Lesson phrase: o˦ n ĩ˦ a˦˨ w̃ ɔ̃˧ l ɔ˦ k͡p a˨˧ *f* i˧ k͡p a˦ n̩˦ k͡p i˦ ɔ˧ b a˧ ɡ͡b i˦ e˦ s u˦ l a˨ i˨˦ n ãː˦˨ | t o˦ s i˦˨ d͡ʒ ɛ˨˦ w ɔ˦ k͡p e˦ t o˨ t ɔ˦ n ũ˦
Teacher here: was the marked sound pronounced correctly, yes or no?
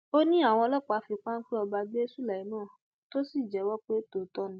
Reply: yes